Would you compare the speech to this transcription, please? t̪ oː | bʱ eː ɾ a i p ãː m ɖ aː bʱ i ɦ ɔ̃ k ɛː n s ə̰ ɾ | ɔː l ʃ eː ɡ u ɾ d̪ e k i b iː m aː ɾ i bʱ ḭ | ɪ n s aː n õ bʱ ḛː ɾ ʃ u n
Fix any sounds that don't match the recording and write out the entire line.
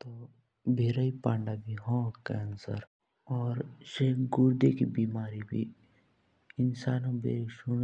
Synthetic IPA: t̪ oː | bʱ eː ɾ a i p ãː ɳ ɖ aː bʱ i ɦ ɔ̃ k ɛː n s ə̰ ɾ | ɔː ɾ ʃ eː ɡ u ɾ d̪ e k i b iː m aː ɾ i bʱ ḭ | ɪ n s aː n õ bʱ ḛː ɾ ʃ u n